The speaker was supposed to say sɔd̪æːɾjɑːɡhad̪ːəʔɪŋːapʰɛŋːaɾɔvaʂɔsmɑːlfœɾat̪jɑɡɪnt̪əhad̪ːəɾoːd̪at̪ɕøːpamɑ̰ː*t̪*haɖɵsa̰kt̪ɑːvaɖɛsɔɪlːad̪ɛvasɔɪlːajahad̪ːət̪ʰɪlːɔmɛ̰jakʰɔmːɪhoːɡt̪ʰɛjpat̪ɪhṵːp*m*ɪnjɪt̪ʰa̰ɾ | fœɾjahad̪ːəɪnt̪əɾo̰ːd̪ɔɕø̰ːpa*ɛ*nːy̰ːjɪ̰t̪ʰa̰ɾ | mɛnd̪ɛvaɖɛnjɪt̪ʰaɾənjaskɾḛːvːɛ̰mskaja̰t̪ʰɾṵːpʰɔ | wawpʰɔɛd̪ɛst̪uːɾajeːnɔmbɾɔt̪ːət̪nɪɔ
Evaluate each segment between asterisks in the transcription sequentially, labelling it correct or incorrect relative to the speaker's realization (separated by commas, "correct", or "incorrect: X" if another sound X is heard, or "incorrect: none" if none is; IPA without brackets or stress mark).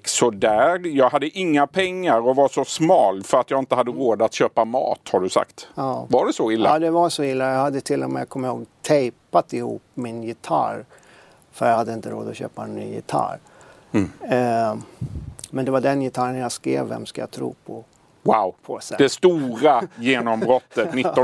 correct, correct, correct